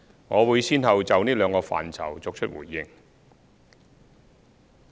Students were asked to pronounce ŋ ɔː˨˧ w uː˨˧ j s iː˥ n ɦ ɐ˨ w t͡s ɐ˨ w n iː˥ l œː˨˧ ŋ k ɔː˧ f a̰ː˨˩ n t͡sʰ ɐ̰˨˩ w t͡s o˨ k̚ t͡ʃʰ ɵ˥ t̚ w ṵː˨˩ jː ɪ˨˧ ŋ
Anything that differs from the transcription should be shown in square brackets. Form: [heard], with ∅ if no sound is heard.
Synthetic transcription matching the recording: ŋ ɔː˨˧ w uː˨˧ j s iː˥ n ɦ ɐ˨ w t͡s ɐ˨ w n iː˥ l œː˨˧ ŋ k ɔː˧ f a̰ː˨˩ n t͡sʰ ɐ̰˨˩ w t͡s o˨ k̚ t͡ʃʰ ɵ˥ t̚ w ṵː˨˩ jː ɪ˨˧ ŋ